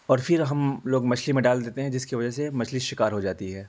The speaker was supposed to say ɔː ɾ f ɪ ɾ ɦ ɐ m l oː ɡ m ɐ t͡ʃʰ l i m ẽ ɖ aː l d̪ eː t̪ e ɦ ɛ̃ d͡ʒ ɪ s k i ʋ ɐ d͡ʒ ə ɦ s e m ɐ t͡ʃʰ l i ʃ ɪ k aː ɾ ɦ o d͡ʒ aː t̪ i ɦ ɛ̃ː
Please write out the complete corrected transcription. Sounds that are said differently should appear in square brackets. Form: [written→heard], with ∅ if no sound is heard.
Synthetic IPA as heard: ɔː ɾ f ɪ ɾ ɦ ɐ m l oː ɡ m ɐ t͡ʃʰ l i m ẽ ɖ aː l d̪ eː t̪ e ɦ ɛ̃ d͡ʒ ɪ s k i ʋ ɐ d͡ʒ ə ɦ s e m ɐ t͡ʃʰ l i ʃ ɪ k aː ɾ ɦ o d͡ʒ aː t̪ i ɦ [ɛ̃ː→ɛː]